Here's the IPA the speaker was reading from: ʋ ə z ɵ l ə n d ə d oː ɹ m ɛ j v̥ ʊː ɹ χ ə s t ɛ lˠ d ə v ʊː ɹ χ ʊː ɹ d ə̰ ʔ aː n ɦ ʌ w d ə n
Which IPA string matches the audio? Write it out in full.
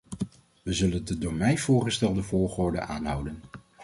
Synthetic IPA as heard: ʋ ə z ɵ l ə n d ə d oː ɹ m ɛ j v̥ ʊː ɹ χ ə s t ɛ lˠ d ə v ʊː ɹ χ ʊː ɹ d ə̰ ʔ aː n ɦ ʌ w d ə n